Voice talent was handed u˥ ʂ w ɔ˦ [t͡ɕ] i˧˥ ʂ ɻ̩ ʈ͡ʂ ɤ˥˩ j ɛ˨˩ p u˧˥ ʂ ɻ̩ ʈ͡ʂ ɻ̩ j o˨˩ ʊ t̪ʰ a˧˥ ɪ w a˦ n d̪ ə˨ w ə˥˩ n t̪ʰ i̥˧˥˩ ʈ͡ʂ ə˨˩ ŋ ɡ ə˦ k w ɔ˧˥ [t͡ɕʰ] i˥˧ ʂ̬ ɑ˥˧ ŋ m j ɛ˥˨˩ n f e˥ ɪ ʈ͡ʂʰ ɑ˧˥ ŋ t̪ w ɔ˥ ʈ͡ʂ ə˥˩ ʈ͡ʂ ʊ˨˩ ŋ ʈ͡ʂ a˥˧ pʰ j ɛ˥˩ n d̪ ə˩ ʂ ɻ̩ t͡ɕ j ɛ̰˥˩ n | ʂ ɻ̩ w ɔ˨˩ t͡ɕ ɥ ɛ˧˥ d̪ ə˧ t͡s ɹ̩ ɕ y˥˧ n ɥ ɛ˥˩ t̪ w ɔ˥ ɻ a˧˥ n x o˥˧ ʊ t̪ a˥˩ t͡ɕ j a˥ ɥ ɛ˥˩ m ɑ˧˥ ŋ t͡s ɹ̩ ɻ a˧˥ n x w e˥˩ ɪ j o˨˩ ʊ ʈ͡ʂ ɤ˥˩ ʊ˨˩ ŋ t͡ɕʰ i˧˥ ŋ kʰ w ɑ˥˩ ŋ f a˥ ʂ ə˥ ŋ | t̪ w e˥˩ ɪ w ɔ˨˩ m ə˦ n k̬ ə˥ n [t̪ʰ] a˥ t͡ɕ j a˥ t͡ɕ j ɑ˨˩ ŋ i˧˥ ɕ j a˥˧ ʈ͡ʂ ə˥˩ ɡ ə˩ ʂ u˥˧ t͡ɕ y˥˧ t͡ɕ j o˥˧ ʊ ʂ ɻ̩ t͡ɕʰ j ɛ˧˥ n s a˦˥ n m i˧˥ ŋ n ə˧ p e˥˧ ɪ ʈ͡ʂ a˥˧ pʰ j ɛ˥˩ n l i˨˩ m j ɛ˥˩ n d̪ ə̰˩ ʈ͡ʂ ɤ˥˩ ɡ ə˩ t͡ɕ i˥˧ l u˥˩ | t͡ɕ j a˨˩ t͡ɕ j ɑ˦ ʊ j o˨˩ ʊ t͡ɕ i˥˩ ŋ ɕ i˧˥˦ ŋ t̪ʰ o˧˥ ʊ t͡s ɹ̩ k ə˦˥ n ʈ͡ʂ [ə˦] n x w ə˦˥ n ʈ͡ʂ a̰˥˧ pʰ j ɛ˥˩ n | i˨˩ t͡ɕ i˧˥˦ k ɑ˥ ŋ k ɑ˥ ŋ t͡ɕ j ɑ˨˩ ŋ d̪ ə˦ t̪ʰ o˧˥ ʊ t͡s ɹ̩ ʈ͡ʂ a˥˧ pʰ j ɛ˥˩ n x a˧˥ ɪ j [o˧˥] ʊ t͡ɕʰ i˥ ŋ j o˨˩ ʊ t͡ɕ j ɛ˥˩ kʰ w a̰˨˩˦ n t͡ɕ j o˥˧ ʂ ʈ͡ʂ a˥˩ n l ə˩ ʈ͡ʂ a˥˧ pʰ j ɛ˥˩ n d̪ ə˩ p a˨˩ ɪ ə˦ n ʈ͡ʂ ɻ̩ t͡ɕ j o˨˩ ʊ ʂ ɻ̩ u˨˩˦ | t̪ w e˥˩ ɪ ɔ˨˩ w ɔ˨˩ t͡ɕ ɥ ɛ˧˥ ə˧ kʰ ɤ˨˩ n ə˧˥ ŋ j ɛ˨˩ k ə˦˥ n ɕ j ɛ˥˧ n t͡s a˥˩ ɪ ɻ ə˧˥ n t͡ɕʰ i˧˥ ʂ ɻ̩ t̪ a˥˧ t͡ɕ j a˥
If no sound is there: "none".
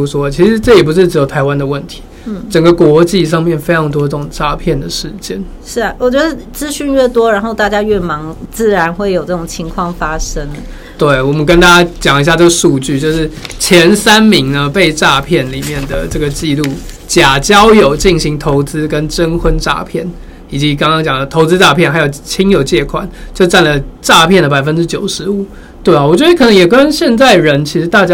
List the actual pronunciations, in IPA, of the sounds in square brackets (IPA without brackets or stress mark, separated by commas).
t͡ɕʰ, t͡ɕ, t̪, ə˦, o˨˩